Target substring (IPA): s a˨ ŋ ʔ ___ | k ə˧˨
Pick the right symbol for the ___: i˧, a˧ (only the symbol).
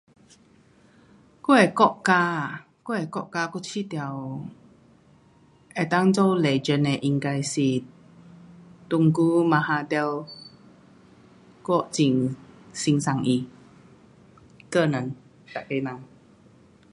i˧